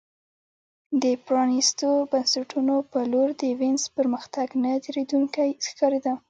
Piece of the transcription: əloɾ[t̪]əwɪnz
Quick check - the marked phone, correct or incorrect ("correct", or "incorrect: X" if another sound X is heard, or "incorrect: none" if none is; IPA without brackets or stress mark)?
incorrect: d̪